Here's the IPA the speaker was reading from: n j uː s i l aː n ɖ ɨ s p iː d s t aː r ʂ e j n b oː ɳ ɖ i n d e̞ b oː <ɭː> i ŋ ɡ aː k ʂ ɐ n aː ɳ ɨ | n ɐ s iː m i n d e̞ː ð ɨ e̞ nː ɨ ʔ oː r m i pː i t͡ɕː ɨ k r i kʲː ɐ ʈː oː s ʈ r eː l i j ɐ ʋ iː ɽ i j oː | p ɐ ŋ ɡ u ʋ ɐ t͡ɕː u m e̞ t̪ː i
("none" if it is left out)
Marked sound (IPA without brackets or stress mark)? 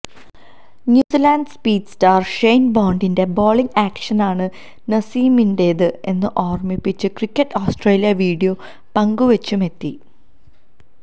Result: ɭ